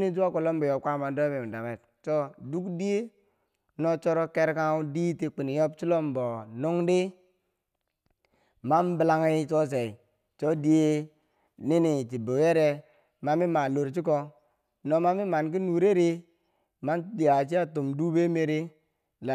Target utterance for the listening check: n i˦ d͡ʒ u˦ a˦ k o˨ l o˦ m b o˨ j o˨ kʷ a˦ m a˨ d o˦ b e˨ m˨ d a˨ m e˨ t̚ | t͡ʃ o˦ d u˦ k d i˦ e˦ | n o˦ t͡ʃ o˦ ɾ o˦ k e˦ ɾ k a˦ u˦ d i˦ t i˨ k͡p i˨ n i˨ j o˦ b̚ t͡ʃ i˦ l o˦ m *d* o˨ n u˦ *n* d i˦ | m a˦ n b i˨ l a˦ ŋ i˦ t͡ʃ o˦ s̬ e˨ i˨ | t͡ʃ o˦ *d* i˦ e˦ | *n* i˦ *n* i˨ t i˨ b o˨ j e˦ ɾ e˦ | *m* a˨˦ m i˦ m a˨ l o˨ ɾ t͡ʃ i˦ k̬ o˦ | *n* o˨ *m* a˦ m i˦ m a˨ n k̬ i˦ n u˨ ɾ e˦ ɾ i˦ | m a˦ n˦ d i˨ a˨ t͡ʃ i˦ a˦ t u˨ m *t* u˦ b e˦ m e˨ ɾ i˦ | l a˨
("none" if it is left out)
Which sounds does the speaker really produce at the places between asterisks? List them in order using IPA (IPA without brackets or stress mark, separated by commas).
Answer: b, ŋ, d, n, n, m, n, m, d